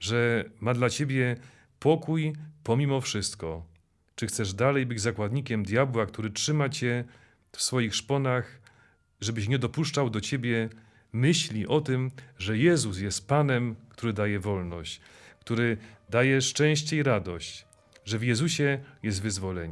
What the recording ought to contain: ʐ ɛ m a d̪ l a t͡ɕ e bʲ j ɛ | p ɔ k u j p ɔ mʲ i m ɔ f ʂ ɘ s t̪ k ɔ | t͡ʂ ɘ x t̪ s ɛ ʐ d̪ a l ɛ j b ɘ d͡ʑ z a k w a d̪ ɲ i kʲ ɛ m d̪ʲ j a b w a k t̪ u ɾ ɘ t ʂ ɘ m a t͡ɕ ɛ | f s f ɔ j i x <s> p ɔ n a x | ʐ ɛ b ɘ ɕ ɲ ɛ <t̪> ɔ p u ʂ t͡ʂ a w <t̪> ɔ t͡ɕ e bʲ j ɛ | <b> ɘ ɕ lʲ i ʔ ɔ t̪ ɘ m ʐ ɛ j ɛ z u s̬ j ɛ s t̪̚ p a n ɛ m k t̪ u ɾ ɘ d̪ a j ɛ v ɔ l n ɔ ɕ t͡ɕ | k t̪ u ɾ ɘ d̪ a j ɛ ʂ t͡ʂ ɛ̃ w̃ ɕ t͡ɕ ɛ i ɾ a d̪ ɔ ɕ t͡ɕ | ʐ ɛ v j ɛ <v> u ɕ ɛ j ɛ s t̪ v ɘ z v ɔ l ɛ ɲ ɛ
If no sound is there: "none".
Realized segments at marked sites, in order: ʂ, d̪, d̪, m, z

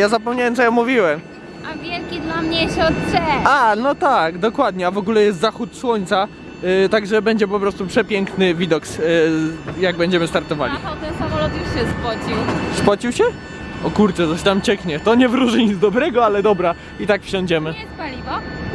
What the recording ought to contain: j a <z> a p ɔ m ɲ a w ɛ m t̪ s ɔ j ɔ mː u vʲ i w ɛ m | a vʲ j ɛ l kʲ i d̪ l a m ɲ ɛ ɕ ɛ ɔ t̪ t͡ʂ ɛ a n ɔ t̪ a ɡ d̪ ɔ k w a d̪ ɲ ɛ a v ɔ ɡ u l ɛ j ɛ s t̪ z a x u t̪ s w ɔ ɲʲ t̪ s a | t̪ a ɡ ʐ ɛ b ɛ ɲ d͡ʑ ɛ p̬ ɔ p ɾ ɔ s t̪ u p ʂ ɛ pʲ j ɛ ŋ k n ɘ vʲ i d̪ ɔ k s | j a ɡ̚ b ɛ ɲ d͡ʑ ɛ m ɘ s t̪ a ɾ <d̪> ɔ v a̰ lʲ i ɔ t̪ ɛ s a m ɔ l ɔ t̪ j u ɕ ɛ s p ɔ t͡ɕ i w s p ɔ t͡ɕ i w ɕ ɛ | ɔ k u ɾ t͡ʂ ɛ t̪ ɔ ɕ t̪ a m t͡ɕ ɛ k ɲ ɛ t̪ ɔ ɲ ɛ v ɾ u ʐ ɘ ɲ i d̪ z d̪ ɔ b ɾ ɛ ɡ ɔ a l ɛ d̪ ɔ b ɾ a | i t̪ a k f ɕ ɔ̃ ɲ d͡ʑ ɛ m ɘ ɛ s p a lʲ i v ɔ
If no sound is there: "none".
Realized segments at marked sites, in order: z, t̪

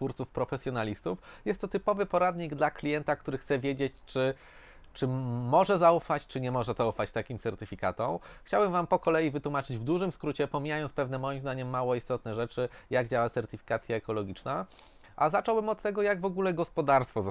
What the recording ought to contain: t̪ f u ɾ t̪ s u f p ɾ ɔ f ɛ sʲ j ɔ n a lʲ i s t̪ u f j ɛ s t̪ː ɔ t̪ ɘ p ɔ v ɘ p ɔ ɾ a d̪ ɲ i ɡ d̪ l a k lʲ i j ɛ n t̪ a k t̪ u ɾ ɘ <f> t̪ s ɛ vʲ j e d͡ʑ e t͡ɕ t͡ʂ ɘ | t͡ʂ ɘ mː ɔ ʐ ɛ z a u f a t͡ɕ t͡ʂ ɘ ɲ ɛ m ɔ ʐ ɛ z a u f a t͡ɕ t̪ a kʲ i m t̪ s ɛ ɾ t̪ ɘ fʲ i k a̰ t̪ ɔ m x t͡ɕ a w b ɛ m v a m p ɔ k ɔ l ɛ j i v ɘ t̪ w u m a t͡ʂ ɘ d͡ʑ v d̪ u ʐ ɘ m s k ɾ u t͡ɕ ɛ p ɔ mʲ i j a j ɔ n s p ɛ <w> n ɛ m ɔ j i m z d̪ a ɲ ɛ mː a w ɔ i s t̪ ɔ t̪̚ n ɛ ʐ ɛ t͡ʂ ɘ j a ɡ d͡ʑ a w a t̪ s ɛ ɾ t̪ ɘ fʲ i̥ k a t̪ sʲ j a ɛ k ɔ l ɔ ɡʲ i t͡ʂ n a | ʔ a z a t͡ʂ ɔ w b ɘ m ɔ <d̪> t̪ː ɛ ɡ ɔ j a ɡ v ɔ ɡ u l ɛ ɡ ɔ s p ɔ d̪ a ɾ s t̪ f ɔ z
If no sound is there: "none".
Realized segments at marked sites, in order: x, v, t̪

